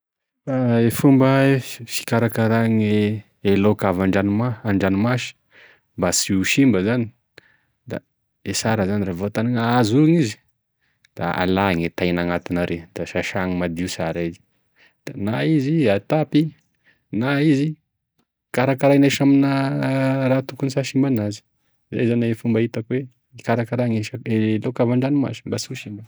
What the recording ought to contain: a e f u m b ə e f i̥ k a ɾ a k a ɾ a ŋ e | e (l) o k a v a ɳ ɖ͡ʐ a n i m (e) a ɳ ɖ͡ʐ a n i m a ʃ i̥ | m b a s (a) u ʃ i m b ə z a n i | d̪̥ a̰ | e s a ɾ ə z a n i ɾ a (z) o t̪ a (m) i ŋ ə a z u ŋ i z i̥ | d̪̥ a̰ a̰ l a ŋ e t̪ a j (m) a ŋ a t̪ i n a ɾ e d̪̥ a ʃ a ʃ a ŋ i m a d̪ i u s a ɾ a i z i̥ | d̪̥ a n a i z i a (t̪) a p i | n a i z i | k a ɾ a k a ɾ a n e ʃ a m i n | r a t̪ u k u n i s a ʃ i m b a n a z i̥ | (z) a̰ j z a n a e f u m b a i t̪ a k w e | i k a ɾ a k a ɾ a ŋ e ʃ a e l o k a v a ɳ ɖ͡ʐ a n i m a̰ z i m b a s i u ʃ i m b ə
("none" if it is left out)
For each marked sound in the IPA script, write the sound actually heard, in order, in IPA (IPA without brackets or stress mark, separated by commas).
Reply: l, a, i, v, n, n, t̪, z